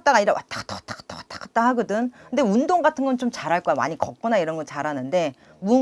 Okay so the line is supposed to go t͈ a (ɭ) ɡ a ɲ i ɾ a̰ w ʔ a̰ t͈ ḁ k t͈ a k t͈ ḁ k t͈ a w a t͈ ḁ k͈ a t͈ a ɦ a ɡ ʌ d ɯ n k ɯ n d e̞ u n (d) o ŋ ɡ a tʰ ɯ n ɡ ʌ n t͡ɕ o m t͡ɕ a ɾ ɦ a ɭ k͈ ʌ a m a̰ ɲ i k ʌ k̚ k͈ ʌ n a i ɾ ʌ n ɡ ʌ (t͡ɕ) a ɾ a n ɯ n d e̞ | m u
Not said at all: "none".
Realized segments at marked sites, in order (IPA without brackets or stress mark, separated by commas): none, d, t͡ɕ